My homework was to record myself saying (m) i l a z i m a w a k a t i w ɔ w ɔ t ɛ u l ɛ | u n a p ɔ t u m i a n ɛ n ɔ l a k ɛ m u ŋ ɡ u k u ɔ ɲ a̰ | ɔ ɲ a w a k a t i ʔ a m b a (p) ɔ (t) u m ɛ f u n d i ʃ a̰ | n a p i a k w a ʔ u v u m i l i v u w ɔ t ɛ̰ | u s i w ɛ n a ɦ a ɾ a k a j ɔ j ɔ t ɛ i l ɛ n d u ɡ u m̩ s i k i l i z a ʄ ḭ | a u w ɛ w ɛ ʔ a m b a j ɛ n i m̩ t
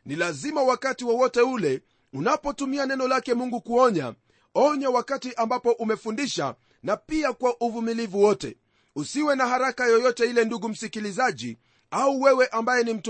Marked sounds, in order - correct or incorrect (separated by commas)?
incorrect, correct, incorrect